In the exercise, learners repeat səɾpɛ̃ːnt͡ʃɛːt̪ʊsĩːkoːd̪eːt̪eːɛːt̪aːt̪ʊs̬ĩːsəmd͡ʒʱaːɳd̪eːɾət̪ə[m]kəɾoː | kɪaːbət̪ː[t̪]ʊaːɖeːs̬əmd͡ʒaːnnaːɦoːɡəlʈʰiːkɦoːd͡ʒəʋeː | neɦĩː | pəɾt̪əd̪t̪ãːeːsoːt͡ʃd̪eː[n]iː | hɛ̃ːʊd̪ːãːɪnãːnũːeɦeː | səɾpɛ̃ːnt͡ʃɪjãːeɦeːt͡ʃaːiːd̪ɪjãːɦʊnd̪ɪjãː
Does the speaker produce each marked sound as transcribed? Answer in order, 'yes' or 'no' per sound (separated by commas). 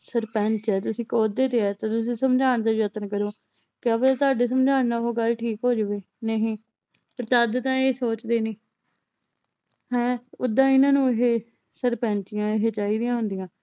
no, yes, yes